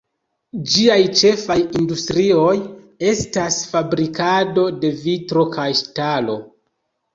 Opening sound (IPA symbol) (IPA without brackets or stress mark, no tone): d͡ʒ